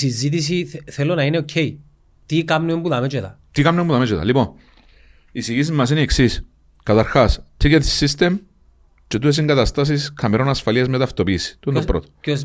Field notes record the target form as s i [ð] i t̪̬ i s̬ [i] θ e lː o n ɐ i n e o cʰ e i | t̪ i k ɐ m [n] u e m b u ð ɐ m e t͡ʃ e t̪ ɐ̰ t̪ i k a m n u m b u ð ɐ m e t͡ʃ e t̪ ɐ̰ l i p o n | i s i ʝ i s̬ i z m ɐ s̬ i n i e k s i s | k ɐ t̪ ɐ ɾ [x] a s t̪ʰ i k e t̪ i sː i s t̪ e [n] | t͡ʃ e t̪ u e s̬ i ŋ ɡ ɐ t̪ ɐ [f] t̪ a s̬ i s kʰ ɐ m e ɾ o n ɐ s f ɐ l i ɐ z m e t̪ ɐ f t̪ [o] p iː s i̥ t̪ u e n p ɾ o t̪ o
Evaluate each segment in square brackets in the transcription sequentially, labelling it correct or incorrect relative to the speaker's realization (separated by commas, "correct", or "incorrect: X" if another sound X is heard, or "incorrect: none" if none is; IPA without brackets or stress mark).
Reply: incorrect: z, correct, correct, correct, incorrect: m, incorrect: s, correct